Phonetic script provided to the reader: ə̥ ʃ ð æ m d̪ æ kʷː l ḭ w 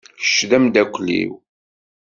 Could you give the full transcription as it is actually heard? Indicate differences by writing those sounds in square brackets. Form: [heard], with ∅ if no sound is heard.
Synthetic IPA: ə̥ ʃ ð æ m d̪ æ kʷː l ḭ w